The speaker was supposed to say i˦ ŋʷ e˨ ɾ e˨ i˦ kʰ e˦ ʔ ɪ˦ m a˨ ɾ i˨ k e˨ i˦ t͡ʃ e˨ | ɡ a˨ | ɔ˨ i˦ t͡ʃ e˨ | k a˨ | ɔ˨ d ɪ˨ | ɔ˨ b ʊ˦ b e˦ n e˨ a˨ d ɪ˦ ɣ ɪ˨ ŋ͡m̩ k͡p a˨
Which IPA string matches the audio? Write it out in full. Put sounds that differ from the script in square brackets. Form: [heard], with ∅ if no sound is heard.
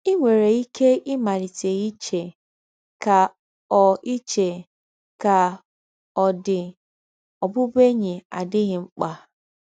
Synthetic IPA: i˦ ŋʷ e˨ ɾ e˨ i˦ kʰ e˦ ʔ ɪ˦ m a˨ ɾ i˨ [t] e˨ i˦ t͡ʃ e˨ | [k] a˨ | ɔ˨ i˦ t͡ʃ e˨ | k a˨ | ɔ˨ d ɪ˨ | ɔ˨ b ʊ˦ b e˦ [ɲ] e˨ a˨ d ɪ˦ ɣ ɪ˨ ŋ͡m̩ k͡p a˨